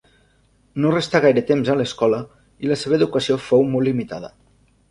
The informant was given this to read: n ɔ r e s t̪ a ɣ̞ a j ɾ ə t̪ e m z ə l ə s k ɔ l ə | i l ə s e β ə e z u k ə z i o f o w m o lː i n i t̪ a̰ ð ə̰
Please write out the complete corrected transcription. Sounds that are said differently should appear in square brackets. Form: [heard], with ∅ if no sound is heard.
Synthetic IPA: n [o] r e s t̪ a ɣ̞ a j ɾ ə t̪ e m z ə l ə s k ɔ l ə | i l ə s e β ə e [ð] u k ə [s] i o f o w m o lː i [m] i t̪ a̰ ð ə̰